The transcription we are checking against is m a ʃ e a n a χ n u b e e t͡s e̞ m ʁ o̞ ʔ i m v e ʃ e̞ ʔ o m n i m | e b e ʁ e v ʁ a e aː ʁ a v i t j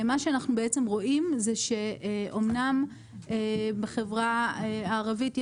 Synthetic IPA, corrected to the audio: m a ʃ e a n a χ n u b e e t͡s e̞ m ʁ o̞ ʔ i m z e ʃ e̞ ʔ o m n a m | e b e χ e v ʁ a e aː ʁ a v i t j